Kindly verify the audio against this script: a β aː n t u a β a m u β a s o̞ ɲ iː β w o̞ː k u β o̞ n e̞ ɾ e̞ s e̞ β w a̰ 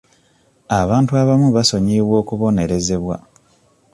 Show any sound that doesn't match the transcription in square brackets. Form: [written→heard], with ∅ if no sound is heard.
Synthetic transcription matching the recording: a β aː n t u a β a m u β a s o̞ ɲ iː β w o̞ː k u β o̞ n e̞ ɾ e̞ [s→z] e̞ β w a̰